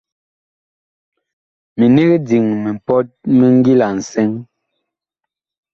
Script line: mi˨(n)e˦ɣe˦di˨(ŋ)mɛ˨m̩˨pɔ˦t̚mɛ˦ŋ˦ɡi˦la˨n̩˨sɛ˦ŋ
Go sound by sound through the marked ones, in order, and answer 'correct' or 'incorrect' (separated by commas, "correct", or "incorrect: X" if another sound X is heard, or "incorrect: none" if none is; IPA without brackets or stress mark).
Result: correct, correct